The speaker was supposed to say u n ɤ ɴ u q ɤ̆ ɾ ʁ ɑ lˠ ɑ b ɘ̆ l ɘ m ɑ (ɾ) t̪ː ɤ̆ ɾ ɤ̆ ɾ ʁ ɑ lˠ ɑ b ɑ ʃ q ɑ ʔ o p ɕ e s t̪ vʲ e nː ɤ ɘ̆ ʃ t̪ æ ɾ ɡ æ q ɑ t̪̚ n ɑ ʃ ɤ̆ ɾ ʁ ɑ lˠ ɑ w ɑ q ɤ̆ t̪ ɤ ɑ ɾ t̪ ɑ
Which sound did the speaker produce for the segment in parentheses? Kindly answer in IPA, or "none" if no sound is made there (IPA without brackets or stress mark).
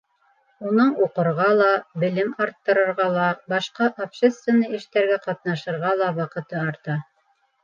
ɾ